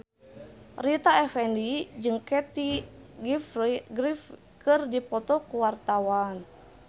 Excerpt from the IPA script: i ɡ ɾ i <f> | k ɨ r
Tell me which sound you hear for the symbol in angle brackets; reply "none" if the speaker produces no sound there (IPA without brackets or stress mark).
f